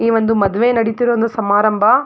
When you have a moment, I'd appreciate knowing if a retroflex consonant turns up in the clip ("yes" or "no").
yes